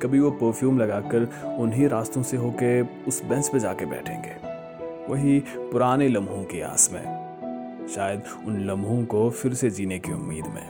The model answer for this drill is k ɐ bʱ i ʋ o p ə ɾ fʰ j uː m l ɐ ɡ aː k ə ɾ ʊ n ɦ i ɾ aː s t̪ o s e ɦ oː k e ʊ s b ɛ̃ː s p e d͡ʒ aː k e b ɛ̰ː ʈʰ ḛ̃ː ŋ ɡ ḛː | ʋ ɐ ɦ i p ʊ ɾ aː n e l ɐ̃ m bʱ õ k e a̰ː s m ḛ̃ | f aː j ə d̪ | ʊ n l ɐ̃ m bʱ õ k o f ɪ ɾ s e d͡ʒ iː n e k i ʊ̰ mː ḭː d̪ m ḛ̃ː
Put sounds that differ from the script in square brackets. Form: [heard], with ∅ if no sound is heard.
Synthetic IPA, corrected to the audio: k ɐ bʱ i ʋ o p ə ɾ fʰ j uː m l ɐ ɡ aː k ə ɾ ʊ n ɦ i ɾ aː s t̪ [õ] s e ɦ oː k e ʊ s b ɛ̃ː s p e d͡ʒ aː k e b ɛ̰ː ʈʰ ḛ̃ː ŋ ɡ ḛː | ʋ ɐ ɦ i p ʊ ɾ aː n e l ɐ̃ m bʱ õ k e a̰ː s m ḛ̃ | [ʃ] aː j ə d̪ | ʊ n l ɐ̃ m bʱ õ k o f ɪ ɾ s e d͡ʒ iː n e k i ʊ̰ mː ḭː d̪ m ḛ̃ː